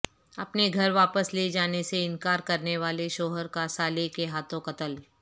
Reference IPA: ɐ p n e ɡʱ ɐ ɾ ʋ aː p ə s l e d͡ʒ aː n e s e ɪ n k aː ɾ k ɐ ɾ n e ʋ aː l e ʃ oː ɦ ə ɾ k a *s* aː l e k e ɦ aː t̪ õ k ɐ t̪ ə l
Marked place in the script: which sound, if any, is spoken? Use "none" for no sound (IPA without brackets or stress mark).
s